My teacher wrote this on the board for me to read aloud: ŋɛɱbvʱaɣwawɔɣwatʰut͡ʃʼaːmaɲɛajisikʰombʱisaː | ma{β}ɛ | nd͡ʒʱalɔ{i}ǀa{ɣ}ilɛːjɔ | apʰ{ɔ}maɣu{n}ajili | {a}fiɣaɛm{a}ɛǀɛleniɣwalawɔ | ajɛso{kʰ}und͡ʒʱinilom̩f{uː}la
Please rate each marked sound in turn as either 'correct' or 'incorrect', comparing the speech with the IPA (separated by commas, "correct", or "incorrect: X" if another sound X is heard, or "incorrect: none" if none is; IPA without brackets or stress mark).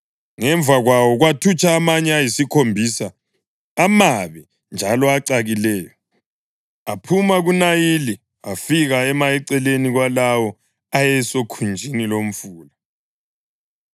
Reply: correct, incorrect: a, correct, incorrect: u, correct, correct, correct, correct, correct